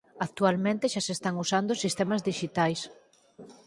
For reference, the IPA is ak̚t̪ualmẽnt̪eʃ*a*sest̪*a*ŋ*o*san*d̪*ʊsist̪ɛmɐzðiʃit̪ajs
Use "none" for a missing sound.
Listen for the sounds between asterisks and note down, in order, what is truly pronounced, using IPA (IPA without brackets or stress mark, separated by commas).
a, a, u, d̪